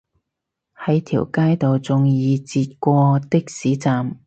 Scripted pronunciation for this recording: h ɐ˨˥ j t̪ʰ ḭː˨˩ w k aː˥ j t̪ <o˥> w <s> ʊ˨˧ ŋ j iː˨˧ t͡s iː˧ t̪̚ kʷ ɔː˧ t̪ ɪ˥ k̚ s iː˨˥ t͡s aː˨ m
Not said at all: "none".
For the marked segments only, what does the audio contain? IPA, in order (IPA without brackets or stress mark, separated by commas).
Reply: o˨, t͡s